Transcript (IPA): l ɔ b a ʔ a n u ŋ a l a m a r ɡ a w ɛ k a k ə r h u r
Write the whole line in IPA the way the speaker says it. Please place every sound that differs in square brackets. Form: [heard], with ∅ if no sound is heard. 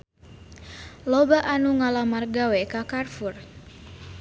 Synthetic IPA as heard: l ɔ b a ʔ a n u ŋ a l a m a r ɡ a w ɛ k a k [a] r [f] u r

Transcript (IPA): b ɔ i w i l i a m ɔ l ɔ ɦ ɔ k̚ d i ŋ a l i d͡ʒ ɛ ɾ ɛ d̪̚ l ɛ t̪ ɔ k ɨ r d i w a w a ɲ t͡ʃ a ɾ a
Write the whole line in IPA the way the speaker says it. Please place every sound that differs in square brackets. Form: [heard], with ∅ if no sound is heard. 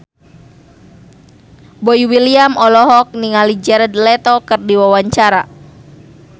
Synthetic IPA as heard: b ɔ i w i l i a m ɔ l ɔ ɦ ɔ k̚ [n] i ŋ a l i d͡ʒ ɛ ɾ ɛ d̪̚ l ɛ t̪ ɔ k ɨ r d i w a w a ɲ t͡ʃ a ɾ a

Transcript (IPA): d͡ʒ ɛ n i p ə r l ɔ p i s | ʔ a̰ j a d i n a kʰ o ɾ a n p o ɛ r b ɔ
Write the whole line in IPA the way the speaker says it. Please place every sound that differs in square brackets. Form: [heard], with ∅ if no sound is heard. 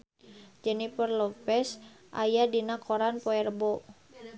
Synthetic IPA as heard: d͡ʒ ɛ n i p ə r l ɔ p [ɛ] s | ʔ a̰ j a d i n a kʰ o ɾ a n p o ɛ r b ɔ

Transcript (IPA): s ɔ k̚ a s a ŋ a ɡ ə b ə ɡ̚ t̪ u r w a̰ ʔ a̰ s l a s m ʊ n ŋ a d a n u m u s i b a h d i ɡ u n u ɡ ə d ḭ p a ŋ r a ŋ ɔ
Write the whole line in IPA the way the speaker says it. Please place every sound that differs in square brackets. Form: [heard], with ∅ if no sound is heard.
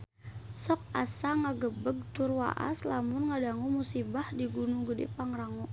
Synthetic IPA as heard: s ɔ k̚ a s a ŋ a ɡ ə b ə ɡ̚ t̪ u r w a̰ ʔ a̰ s l a [∅] m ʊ n ŋ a d a [ŋ] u m u s i b a h d i ɡ u n u ɡ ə d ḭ p a ŋ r a ŋ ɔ

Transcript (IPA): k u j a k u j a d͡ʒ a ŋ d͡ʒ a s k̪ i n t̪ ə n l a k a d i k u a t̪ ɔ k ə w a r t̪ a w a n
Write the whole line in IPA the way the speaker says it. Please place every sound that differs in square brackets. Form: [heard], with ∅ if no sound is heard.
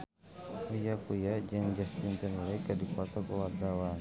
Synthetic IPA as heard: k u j a k u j a d͡ʒ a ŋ d͡ʒ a s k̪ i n t̪ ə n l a k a d i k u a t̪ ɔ k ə w a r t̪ a w a n

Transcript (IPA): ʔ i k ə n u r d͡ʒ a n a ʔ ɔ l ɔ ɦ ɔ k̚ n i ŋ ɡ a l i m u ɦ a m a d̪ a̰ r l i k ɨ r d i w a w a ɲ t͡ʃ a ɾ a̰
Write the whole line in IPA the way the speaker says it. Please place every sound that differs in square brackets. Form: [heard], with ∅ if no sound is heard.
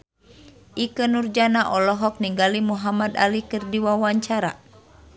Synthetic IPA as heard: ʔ i k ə n u r d͡ʒ a n a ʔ ɔ l ɔ ɦ ɔ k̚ n i ŋ ɡ a l i m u ɦ a m a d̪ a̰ [∅] l i k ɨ r d i w a w a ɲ t͡ʃ a ɾ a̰

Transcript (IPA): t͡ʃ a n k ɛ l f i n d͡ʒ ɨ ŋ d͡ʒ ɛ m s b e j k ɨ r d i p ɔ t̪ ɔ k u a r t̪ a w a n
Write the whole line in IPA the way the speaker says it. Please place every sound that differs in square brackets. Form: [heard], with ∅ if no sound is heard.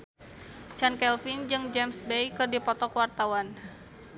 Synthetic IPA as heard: t͡ʃ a n k ɛ l f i n d͡ʒ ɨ ŋ d͡ʒ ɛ m s b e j k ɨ r d i p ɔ t̪ ɔ k [w] a r t̪ a w a n

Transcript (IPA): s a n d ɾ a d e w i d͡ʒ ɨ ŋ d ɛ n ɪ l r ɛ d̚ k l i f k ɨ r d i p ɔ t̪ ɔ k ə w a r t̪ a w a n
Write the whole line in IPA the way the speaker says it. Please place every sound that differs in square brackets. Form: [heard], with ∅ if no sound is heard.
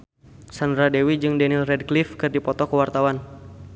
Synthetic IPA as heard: s a n d ɾ a d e w i d͡ʒ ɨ ŋ d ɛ n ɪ l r ɛ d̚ k l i f k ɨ r d i p ɔ t̪ ɔ k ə w a r t̪ a w a n

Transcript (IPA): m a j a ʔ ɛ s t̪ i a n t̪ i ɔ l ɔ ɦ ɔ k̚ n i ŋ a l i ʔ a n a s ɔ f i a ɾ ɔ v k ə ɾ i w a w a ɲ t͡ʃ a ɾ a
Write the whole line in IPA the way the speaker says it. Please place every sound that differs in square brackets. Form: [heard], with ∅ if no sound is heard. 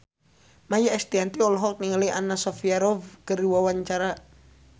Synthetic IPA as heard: m a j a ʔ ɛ s t̪ i a n t̪ i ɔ l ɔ ɦ ɔ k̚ n i ŋ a l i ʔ a n a s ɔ f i a ɾ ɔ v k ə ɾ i w a w a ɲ t͡ʃ a ɾ a

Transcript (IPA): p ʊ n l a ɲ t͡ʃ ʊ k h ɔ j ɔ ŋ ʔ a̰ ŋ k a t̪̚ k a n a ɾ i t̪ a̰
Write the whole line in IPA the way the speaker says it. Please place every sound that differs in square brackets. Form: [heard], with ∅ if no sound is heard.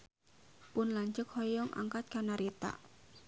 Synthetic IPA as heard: p ʊ n l a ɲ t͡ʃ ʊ k h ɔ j ɔ ŋ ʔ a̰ ŋ k a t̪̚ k a n a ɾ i t̪ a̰

